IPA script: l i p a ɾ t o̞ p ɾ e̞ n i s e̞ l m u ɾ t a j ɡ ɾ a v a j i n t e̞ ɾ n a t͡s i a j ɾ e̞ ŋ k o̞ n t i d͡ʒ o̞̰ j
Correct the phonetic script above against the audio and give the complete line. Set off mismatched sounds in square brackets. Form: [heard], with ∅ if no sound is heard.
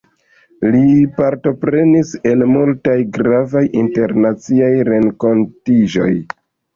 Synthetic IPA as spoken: l i p a ɾ t o̞ p ɾ e̞ n i s e̞ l m u [l] t a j ɡ ɾ a v a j i n t e̞ ɾ n a t͡s i a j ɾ e̞ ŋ k o̞ n t i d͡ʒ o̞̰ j